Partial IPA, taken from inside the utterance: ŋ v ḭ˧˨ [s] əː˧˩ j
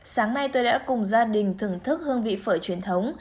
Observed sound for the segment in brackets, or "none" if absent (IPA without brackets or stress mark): f